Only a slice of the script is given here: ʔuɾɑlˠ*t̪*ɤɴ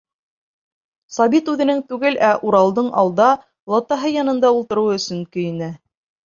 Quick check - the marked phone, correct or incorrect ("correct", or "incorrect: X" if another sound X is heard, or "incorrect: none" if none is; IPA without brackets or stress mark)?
incorrect: d̪